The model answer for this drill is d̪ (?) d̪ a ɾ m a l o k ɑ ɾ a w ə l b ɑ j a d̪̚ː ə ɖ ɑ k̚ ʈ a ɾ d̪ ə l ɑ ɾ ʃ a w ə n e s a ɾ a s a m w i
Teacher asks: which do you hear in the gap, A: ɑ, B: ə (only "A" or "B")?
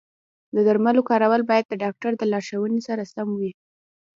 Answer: B